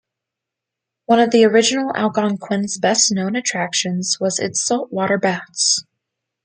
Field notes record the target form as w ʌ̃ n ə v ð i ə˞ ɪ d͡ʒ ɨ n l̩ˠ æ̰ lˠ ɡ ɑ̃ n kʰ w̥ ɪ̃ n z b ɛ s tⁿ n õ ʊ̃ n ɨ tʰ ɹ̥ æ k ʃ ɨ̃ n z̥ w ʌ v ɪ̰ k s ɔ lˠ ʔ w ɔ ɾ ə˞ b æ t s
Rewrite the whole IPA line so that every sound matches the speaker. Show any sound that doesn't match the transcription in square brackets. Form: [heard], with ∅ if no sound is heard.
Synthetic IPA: w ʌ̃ n [ʌ] v ð i ə˞ ɪ d͡ʒ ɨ n l̩ˠ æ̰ lˠ ɡ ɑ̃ n kʰ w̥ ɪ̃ n z b ɛ s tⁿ n õ ʊ̃ n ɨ tʰ ɹ̥ æ k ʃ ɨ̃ n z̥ w ʌ [z] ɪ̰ [t] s ɔ lˠ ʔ w ɔ ɾ ə˞ b æ t s